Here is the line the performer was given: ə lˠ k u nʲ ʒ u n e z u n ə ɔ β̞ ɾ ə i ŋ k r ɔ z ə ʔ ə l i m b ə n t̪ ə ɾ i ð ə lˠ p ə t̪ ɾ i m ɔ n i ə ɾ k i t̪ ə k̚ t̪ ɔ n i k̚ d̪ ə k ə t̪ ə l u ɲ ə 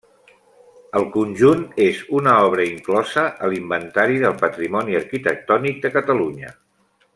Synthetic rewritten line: ə lˠ k u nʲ ʒ u n e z u n ə ɔ β̞ ɾ ə i ŋ k l ɔ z ə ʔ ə l i m b ə n t̪ a ɾ i ð ə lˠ p ə t̪ ɾ i m ɔ n i ə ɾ k i t̪ ə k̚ t̪ ɔ n i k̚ d̪ ə k ə t̪ ə l u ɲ ə